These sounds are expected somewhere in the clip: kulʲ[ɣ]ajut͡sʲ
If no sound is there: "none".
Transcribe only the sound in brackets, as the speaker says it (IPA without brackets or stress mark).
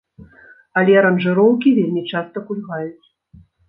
ɣ